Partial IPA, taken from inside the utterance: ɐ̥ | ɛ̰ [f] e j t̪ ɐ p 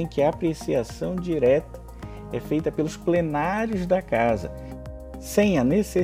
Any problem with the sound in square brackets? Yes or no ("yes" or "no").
no